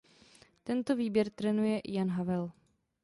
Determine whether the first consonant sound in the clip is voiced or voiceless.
voiceless